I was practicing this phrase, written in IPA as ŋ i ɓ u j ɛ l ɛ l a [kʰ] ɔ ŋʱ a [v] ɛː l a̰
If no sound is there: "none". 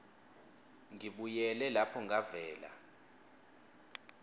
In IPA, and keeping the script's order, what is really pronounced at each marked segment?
pʰ, v

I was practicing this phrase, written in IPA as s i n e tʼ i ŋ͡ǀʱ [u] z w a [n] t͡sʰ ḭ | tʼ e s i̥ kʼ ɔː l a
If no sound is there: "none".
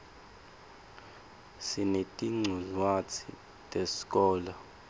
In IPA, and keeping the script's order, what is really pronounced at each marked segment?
u, none

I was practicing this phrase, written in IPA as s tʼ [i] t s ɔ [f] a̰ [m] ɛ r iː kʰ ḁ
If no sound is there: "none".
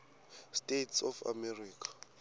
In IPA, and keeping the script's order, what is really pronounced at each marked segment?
e, f, m

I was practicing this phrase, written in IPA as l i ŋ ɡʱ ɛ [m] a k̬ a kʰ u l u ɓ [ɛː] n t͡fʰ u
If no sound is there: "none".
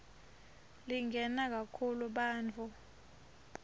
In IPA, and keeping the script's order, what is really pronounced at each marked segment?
n, aː

